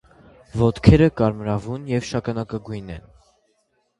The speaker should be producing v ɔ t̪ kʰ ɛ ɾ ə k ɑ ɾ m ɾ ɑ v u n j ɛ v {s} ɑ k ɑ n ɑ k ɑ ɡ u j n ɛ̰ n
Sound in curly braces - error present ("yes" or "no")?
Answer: yes